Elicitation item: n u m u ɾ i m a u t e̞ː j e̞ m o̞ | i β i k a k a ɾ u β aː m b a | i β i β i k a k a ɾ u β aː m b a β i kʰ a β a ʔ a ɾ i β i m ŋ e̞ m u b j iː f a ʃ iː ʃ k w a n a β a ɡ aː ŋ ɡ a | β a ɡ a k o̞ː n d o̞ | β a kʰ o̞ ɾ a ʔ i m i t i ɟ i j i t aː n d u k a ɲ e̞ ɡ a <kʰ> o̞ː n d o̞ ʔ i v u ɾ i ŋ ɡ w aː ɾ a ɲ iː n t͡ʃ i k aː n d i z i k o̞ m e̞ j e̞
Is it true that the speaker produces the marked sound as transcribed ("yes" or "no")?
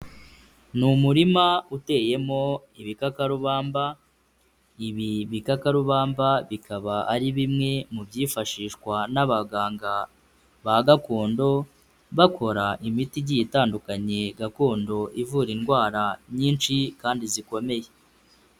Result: no